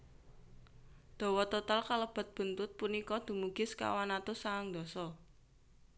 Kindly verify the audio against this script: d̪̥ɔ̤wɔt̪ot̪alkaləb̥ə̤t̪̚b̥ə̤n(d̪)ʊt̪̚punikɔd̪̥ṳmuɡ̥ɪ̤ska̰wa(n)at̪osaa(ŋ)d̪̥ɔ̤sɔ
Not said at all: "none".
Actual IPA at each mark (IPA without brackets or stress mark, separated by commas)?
t̪, n, ŋ